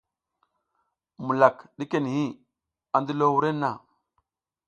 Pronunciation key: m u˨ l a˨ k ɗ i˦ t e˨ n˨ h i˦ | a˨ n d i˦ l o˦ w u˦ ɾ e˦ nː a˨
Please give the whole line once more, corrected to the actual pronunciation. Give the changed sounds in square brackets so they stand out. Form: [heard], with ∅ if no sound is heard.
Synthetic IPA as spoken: m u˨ l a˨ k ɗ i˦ [k] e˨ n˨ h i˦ | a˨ n d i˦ l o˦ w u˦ ɾ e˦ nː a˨

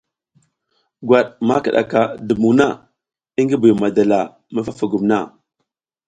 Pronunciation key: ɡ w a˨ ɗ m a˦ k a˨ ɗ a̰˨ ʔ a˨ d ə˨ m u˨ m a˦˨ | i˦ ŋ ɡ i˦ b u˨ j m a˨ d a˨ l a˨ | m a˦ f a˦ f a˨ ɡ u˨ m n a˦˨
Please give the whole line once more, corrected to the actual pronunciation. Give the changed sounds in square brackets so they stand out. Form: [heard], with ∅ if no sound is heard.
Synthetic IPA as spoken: ɡ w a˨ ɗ m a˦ k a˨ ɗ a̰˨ [k] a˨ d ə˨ m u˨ [n] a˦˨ | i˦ ŋ ɡ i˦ b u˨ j m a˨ d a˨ l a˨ | m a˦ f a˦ f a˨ ɡ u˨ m n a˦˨

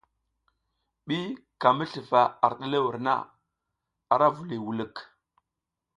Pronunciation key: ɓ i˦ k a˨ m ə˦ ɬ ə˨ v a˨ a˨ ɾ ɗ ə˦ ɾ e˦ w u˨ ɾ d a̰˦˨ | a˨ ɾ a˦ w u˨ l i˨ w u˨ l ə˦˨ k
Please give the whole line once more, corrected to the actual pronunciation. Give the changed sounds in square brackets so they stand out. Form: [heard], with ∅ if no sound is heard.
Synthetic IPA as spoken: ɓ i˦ k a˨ m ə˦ ɬ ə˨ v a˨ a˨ ɾ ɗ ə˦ [l] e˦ w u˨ ɾ [n] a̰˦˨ | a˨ ɾ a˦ [v] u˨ l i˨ w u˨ l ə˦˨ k

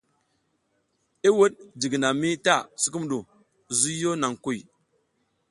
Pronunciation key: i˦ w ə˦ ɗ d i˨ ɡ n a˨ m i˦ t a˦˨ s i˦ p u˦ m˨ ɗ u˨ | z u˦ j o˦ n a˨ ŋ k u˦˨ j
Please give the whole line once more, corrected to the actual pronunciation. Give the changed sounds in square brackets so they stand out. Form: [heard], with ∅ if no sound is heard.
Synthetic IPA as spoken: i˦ w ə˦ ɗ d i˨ ɡ n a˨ m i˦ t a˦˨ s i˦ [k] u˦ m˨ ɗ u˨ | z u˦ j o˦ n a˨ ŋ k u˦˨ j

